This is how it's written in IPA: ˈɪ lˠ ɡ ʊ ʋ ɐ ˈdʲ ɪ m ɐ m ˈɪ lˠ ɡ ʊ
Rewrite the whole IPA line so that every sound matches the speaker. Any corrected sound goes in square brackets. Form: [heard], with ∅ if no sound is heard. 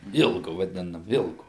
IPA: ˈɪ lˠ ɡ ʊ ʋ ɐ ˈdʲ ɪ [n] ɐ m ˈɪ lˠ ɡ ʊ